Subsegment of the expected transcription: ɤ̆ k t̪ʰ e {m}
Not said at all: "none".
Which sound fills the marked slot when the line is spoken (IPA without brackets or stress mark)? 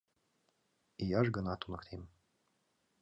m